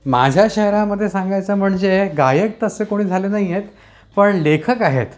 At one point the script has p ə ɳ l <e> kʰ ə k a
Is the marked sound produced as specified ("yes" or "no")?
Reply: yes